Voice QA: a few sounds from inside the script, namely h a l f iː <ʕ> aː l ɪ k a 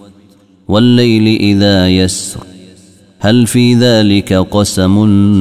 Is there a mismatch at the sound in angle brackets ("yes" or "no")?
yes